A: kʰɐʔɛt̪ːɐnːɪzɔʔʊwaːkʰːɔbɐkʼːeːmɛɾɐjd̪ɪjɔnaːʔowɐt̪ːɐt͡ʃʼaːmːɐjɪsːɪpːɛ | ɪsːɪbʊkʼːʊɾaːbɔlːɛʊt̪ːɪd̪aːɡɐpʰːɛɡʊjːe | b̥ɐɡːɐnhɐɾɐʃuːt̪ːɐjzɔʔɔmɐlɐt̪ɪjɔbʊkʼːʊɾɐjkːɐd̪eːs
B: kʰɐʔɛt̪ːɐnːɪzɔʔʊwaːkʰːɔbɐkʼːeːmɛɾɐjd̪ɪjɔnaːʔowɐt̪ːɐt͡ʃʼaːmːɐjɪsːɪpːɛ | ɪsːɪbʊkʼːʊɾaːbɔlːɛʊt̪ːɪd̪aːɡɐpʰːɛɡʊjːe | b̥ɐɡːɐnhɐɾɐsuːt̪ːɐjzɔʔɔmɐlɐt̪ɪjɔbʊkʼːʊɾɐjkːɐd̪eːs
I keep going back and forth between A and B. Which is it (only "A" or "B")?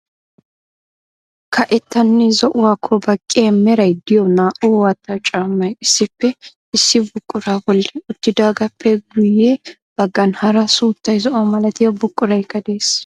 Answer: B